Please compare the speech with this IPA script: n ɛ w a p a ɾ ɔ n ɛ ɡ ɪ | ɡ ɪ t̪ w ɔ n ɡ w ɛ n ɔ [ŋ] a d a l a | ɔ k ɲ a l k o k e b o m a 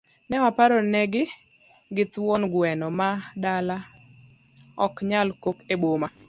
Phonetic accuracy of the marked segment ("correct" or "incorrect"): incorrect